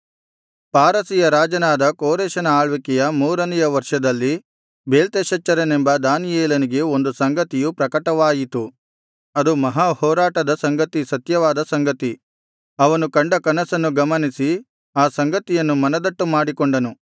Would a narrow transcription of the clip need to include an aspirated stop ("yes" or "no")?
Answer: no